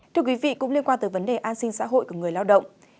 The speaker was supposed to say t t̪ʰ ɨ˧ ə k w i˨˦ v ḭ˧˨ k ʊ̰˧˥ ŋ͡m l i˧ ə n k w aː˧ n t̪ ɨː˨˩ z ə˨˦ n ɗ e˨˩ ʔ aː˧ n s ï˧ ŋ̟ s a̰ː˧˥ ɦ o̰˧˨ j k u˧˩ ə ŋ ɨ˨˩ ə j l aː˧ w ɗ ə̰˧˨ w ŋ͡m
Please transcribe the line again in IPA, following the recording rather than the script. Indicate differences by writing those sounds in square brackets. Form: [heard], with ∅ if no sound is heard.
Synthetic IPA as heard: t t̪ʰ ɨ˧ ə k w i˨˦ v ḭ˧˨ k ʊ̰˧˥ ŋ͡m l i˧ ə n k w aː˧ n t̪ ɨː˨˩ [v] ə˨˦ n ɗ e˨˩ ʔ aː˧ n s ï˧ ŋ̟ s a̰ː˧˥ ɦ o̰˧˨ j k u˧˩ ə ŋ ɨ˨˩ ə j l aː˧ w ɗ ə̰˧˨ w ŋ͡m

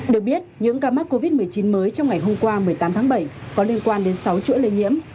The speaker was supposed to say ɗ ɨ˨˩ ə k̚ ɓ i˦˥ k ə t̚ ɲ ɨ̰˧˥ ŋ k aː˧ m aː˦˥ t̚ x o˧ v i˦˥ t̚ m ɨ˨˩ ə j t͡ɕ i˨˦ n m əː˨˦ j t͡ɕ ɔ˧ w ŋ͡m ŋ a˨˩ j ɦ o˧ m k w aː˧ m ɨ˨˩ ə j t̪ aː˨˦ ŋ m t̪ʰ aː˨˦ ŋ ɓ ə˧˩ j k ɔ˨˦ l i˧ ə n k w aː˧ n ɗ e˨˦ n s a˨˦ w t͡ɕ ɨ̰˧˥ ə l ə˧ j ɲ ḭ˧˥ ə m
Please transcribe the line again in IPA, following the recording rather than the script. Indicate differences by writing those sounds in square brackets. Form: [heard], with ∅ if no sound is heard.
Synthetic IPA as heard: ɗ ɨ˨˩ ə k̚ ɓ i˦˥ [∅] ə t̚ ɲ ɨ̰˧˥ ŋ k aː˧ m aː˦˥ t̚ [k] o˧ v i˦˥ t̚ m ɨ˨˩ ə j t͡ɕ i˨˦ n m əː˨˦ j t͡ɕ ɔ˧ w ŋ͡m ŋ a˨˩ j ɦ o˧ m k w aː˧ m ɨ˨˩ ə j t̪ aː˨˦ [∅] m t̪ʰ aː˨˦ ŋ ɓ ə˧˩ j k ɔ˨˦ l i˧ ə n k w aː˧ n ɗ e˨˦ n s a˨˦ w t͡ɕ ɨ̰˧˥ ə l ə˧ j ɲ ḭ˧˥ ə m

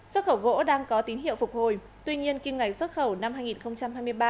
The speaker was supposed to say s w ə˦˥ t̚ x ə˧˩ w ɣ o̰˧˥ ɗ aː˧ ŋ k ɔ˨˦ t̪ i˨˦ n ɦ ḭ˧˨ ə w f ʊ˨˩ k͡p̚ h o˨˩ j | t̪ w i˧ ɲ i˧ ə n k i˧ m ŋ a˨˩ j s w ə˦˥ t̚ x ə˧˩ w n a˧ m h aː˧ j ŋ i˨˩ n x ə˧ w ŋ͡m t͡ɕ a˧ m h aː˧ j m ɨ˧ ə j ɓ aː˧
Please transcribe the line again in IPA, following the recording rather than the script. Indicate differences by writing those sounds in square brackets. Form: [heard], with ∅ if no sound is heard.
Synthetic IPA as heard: s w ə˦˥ t̚ x ə˧˩ w ɣ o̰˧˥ ɗ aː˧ ŋ k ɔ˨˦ t̪ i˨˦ n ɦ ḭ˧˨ ə w f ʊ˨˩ k͡p̚ h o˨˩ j | t̪ w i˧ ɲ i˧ ə n k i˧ m ŋ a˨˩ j s w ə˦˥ t̚ x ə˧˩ w n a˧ m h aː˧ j ŋ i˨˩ n x ə˧ w ŋ͡m t͡ɕ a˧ m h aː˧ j m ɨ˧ ə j ɓ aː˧

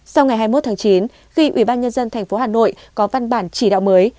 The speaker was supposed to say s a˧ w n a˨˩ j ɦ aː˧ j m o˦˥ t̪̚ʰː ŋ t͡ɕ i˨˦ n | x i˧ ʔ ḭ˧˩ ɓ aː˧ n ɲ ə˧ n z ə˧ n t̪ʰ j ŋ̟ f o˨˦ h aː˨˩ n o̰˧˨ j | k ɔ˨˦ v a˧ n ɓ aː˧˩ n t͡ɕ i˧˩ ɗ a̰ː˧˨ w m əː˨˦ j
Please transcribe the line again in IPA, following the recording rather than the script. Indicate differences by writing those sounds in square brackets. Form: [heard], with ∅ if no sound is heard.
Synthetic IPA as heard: s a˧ w [ŋ] a˨˩ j ɦ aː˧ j m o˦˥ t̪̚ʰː ŋ t͡ɕ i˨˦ n | x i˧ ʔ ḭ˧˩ ɓ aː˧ n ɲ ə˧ n z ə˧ n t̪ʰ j ŋ̟ f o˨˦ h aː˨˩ n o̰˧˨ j | k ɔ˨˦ v a˧ n ɓ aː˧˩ n t͡ɕ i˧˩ ɗ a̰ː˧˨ w m əː˨˦ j

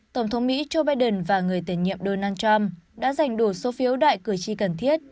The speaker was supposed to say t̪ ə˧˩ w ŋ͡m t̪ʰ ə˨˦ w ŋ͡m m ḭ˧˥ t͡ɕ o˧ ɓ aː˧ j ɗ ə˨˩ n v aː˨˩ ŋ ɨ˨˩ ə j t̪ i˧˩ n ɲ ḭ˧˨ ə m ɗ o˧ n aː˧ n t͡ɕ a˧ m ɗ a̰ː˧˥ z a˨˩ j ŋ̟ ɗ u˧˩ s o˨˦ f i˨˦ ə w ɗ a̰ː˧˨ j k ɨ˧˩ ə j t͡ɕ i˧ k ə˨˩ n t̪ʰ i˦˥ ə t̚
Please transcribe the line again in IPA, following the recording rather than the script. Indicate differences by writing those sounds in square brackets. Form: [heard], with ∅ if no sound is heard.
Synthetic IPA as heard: t̪ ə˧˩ w ŋ͡m t̪ʰ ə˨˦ w ŋ͡m m ḭ˧˥ t͡ɕ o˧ ɓ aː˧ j ɗ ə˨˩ n v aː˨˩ ŋ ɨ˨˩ ə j t̪ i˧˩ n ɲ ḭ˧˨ ə m ɗ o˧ n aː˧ n t͡ɕ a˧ m ɗ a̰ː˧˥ z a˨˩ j ŋ̟ ɗ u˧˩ s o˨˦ f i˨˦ ə w ɗ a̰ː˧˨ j k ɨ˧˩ ə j t͡ɕ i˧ k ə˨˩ n t̪ʰ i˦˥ ə t̚

